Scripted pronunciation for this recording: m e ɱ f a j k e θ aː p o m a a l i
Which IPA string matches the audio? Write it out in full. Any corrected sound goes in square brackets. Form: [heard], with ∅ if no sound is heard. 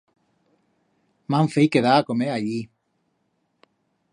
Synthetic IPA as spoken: m [a] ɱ f [e] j k e [ð] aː [k] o m [e] a [ʎ] i